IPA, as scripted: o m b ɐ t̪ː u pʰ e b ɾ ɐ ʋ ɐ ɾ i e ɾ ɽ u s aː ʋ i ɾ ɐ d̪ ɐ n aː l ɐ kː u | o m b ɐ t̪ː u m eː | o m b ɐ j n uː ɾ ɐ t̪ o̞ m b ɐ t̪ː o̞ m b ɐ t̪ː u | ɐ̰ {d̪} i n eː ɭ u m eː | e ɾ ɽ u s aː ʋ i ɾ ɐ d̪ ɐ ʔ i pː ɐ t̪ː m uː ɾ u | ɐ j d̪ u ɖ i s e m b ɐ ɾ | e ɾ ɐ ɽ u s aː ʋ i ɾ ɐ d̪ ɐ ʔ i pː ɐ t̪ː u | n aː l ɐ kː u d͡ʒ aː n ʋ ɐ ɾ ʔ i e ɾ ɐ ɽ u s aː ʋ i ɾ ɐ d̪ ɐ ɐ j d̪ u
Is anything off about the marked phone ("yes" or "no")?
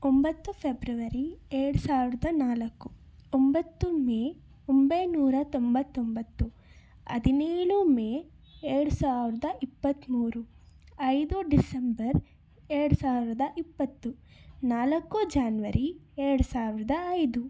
no